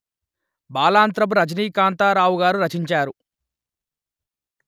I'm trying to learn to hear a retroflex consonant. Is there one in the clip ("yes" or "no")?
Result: no